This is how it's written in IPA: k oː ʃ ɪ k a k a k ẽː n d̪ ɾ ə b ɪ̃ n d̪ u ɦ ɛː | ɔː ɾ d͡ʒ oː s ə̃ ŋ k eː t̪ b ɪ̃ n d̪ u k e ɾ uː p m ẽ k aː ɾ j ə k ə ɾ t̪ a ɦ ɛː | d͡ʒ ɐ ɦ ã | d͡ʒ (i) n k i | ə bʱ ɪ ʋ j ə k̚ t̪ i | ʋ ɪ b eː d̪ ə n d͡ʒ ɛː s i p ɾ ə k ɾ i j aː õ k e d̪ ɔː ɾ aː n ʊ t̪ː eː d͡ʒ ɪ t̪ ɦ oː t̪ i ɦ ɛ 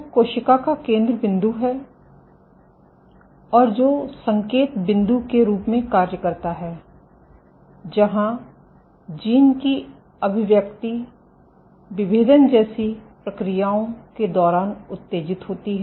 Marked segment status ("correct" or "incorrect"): incorrect